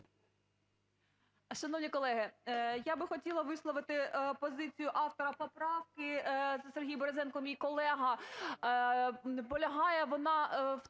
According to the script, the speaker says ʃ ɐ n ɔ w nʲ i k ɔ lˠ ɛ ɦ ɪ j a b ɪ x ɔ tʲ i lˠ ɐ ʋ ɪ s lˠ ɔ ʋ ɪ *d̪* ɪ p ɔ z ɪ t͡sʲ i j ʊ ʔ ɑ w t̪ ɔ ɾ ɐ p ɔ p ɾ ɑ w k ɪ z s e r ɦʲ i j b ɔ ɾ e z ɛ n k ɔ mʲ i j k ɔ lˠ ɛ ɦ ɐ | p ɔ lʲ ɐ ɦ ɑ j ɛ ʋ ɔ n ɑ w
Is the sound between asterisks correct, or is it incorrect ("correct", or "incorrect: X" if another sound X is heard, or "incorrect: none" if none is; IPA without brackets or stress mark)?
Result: incorrect: t̪